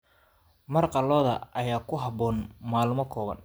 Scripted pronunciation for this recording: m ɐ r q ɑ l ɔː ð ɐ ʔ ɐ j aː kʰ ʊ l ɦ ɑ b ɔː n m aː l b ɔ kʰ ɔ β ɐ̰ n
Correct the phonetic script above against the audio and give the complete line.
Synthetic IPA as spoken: m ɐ r q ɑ l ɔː ð ɐ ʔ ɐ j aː kʰ ʊ ɦ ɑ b ɔː n m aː l m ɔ kʰ ɔː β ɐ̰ n